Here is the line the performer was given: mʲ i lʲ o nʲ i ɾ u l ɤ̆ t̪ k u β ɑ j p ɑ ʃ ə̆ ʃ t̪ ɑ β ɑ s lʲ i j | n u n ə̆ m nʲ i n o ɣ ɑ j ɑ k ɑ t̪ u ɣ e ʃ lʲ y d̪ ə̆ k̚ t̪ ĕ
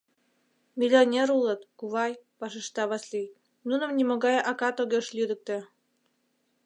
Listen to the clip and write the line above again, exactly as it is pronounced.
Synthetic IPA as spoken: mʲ i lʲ o nʲ e ɾ u l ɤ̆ t̪ k u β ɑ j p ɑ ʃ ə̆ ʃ t̪ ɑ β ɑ s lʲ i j | n u n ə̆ m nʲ i m o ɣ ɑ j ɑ k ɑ t̪ o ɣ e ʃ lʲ y d̪ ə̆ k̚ t̪ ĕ